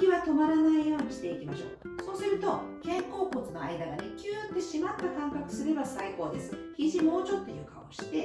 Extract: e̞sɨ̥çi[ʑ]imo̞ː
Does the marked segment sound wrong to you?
no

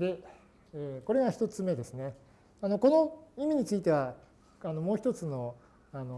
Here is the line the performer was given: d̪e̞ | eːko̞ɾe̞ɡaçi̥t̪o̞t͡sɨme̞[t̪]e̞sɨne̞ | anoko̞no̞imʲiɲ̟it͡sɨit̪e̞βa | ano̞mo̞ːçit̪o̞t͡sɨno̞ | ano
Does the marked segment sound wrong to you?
yes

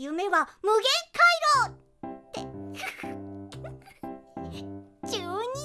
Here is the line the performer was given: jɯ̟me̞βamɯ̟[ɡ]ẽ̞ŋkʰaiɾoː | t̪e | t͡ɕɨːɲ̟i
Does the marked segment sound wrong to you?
no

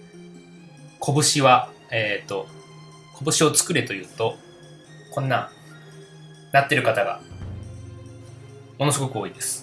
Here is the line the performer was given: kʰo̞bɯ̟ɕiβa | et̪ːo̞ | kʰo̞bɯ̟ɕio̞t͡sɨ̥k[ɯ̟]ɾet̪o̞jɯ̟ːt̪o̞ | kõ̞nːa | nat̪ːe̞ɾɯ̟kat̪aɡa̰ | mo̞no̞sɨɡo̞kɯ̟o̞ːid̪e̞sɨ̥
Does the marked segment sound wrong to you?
no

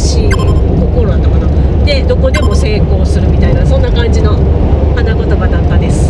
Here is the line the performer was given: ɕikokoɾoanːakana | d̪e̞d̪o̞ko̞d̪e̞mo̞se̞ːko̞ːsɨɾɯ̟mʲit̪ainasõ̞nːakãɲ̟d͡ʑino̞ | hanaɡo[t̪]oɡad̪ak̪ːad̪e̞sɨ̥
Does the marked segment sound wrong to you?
no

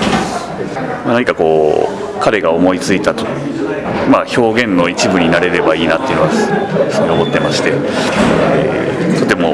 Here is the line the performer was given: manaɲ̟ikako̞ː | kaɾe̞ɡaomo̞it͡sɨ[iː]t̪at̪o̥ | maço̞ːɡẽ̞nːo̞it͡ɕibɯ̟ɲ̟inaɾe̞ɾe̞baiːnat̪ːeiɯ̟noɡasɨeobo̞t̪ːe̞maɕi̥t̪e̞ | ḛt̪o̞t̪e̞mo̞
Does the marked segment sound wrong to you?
yes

